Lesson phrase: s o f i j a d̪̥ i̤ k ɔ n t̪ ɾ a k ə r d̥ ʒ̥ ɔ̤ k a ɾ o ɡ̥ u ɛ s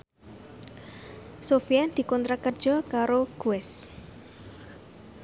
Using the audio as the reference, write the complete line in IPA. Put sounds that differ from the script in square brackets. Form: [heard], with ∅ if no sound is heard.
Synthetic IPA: s o f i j a d̪̥ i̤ k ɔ n t̪ ɾ a k ə r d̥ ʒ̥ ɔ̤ k a ɾ o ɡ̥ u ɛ s